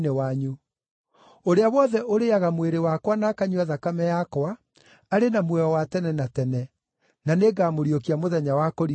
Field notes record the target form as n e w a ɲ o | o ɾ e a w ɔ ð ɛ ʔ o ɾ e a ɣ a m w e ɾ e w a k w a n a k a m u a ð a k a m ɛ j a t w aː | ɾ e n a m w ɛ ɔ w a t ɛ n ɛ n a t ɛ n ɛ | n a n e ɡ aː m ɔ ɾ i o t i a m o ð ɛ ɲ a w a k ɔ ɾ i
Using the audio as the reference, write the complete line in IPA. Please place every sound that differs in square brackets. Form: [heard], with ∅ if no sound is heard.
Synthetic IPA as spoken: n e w a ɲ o | o ɾ e a w ɔ ð ɛ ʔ o ɾ e a ɣ a m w e ɾ e w a k w a n a k a [ɲ] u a ð a k a m ɛ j a [k] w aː | ɾ e n a m w ɛ ɔ w a t ɛ n ɛ n a t ɛ n ɛ | n a n e ɡ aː m [o] ɾ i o [k] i a m o ð ɛ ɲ a w a k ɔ ɾ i